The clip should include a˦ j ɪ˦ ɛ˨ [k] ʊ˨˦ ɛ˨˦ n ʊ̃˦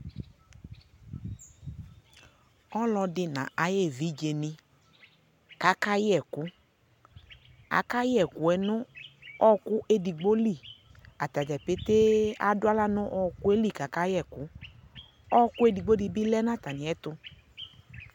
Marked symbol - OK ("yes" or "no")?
yes